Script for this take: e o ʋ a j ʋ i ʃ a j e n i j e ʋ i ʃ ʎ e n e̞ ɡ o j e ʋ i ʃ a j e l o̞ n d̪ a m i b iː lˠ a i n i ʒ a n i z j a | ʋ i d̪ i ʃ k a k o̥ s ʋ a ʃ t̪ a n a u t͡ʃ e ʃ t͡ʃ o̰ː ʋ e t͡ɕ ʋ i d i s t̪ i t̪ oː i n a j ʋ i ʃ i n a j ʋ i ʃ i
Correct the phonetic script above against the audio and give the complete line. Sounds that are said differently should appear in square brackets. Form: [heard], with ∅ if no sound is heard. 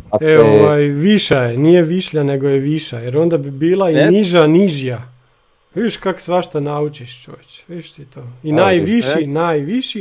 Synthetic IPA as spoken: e o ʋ a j ʋ i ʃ a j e n i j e ʋ i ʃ ʎ [a] n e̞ ɡ o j e ʋ i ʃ a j e [ɾ] o̞ n d̪ a [b] i b iː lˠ a i n i ʒ a n i [ʒ] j a | ʋ i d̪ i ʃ k a k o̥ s ʋ a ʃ t̪ a n a u t͡ʃ [i] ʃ t͡ʃ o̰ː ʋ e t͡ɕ ʋ i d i [ʃ] t̪ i t̪ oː i n a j ʋ i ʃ i n a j ʋ i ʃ i